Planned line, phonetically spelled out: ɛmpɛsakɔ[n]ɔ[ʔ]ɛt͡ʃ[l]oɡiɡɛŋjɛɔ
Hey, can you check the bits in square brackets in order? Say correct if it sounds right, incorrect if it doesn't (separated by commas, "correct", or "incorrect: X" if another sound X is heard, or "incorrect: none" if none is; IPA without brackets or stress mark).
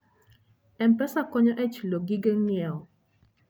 incorrect: ɲ, correct, correct